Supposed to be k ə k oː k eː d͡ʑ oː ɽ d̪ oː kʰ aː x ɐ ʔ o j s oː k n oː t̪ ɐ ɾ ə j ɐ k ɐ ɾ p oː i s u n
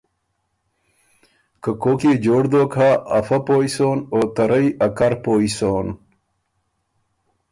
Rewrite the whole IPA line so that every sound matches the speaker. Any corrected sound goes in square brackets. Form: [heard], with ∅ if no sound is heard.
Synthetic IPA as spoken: k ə k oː k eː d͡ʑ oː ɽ d̪ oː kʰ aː [f] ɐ [p] o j s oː [∅] n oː t̪ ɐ ɾ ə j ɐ k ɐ ɾ p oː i s [o] n